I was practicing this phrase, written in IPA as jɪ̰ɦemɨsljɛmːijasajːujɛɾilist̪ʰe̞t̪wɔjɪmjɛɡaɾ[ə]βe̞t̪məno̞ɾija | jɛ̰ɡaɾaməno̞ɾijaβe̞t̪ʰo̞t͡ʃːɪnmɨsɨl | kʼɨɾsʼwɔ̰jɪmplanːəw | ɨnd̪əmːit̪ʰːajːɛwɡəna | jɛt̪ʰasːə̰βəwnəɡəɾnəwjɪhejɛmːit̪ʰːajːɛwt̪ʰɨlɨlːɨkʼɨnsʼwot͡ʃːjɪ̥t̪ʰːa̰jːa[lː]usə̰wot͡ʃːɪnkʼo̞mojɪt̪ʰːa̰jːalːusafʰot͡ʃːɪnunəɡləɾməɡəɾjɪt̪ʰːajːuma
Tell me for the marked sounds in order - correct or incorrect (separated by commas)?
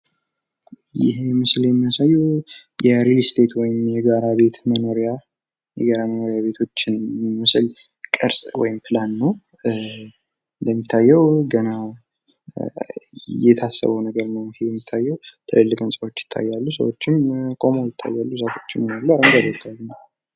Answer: incorrect, correct